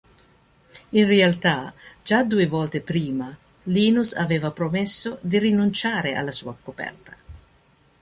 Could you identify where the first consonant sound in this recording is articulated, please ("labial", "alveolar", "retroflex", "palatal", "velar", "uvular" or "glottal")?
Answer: alveolar